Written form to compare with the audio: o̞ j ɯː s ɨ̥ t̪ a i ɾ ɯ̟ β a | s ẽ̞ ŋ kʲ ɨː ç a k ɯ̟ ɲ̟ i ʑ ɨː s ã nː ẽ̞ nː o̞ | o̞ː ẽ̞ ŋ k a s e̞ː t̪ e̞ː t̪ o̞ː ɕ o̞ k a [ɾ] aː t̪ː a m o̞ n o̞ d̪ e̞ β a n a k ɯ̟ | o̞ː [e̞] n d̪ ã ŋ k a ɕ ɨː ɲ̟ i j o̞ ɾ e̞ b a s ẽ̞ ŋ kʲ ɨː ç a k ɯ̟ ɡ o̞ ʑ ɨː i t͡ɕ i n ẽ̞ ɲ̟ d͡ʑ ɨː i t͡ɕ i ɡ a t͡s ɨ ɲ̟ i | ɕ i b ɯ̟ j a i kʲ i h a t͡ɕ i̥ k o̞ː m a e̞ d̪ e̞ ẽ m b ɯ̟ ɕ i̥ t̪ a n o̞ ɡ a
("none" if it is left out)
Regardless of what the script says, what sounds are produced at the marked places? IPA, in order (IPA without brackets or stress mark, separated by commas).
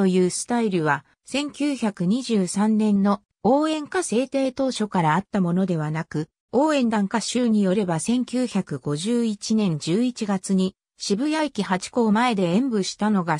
ɾ, ẽ̞